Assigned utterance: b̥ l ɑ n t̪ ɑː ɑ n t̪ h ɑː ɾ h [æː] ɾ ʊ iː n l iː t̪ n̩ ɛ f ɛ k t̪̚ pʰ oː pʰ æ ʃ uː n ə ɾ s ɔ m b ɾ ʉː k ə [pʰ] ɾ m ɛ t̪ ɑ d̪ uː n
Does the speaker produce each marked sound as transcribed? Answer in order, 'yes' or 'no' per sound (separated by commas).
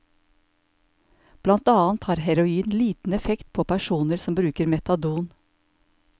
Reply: no, no